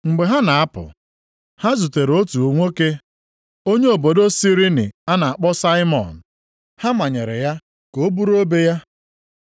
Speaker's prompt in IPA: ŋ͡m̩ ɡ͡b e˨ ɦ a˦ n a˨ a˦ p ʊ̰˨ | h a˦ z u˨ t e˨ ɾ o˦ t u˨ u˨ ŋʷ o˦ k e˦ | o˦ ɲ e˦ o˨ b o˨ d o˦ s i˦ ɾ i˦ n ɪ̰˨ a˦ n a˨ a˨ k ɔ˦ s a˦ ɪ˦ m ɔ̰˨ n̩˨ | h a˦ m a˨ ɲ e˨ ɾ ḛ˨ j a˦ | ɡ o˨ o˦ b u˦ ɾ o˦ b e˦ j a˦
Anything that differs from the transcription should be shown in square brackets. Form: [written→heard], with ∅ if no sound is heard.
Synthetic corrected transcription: ŋ͡m̩ ɡ͡b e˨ ɦ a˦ n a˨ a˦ p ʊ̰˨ | h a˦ z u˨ t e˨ ɾ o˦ t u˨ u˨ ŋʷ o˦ k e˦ | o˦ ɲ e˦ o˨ b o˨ d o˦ s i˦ ɾ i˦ n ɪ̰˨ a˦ n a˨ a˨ [k→k͡p] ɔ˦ s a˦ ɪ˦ m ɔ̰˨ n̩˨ | h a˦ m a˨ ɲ e˨ ɾ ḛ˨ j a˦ | [ɡ→k] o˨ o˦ b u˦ ɾ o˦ b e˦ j a˦